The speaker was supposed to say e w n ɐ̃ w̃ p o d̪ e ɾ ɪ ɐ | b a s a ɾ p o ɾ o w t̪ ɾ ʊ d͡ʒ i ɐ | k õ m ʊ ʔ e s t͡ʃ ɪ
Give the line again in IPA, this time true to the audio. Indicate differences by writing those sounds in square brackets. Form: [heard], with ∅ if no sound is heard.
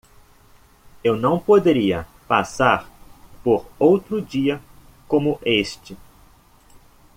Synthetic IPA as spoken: e w n ɐ̃ w̃ p o d̪ e ɾ [i] ɐ | [p] a s a ɾ p o ɾ o w t̪ ɾ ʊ d͡ʒ i ɐ | k õ m ʊ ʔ e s t͡ʃ ɪ